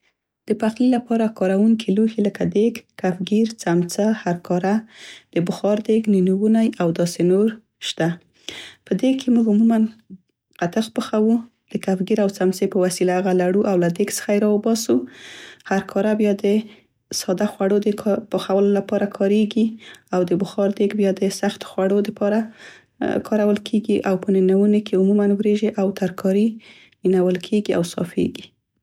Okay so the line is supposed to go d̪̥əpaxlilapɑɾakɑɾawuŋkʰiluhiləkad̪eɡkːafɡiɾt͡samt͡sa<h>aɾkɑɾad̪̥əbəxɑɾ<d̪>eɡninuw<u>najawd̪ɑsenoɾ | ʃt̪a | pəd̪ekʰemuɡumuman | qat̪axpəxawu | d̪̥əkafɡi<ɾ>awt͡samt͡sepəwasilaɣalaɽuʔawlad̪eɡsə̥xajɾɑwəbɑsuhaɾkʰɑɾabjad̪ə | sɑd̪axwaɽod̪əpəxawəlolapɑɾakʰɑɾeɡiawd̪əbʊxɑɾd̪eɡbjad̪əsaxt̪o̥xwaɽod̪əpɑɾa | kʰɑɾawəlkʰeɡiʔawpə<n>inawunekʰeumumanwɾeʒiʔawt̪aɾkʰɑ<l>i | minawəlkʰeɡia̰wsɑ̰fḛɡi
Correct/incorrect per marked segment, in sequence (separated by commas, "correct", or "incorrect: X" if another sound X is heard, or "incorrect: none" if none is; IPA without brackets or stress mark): correct, correct, correct, correct, correct, incorrect: ɾ